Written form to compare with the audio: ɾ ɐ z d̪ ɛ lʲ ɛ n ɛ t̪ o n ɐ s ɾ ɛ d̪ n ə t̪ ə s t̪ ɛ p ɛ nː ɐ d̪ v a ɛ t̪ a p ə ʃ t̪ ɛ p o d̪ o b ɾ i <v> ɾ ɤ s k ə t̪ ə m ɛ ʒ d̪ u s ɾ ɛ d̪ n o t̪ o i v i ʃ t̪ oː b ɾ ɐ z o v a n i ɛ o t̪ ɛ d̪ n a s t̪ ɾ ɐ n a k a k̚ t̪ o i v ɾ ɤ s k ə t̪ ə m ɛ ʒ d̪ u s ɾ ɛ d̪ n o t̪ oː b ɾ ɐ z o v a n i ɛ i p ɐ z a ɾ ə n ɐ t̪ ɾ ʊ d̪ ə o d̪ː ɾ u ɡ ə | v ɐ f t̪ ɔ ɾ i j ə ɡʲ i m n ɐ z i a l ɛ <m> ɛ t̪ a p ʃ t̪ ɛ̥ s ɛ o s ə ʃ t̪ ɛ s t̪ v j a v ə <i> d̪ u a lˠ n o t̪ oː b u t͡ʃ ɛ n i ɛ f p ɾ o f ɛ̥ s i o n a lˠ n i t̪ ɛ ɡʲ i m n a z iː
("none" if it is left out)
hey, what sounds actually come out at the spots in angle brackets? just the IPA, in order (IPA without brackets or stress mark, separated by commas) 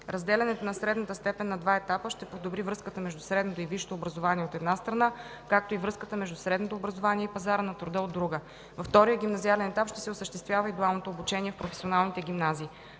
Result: v, n, i